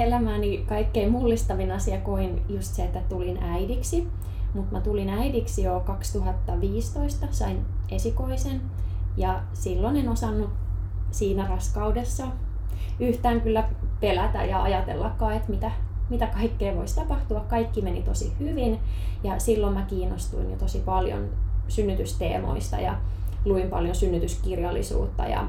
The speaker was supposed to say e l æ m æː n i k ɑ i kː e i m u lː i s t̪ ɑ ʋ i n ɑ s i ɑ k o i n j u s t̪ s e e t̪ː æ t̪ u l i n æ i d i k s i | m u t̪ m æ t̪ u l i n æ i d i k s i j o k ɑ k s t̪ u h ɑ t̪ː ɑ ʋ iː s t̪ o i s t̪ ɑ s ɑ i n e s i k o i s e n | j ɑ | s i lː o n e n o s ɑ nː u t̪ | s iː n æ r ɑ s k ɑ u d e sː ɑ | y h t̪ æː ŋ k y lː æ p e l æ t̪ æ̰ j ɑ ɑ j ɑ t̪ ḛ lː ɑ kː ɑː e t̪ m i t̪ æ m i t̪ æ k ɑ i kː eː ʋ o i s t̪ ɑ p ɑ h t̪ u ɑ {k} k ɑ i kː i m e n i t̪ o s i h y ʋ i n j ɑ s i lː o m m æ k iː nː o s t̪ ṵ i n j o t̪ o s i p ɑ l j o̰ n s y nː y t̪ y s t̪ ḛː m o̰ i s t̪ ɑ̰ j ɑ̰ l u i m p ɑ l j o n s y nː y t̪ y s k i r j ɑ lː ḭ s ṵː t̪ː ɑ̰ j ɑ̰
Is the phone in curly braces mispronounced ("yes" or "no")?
no